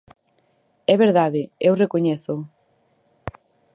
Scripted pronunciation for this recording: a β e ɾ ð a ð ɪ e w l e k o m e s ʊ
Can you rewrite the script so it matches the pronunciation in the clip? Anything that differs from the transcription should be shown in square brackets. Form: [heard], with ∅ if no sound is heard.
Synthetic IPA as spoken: [ɛ] β e ɾ ð a ð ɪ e w [r] e k o [ɲ] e [θ] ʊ